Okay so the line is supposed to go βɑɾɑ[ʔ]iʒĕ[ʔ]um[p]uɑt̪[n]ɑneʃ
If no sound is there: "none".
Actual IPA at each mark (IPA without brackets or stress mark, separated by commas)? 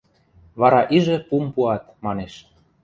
ʔ, p, p, m